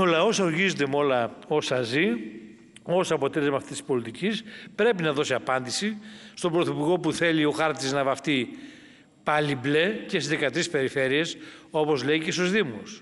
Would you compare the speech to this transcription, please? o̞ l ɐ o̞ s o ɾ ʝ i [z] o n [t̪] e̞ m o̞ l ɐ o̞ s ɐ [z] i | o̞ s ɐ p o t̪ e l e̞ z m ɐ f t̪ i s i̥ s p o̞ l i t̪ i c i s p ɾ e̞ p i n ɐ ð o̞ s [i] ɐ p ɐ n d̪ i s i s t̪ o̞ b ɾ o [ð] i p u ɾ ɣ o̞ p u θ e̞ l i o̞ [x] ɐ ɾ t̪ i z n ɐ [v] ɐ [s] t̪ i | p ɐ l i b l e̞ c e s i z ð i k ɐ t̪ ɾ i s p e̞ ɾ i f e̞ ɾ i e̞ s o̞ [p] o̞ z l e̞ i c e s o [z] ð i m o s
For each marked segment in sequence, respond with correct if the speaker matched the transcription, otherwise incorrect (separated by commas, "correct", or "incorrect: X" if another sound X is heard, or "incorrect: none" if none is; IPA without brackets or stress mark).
correct, incorrect: d̪, correct, correct, incorrect: θ, correct, correct, incorrect: f, correct, correct